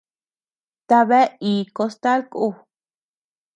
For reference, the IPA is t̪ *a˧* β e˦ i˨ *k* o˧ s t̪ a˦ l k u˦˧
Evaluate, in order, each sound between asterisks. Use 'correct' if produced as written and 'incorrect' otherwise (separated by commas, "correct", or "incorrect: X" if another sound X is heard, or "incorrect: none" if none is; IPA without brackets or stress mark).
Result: correct, correct